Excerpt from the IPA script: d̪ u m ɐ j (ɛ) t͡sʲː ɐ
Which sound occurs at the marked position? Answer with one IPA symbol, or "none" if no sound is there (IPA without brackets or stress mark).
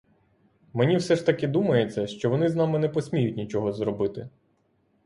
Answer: e